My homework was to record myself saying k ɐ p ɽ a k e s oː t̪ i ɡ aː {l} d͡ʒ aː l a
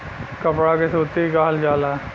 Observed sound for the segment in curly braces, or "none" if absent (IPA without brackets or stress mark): l